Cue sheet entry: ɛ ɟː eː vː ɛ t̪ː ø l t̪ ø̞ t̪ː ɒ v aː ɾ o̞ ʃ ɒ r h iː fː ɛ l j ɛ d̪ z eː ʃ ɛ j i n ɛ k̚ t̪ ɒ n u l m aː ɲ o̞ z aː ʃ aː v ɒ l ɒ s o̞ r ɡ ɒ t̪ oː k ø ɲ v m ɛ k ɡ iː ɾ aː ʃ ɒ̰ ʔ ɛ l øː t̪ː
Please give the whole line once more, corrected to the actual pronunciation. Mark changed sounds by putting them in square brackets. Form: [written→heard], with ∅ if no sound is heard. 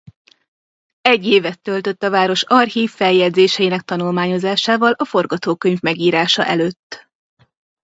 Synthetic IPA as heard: ɛ ɟː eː [vː→v] ɛ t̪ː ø l t̪ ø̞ t̪ː ɒ v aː ɾ o̞ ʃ ɒ r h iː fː ɛ l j ɛ d̪ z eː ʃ ɛ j i n ɛ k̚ t̪ ɒ n u l m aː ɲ o̞ z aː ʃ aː v ɒ l ɒ [s→f] o̞ r ɡ ɒ t̪ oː k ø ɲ v m ɛ [k→∅] ɡ iː ɾ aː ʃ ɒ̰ ʔ ɛ l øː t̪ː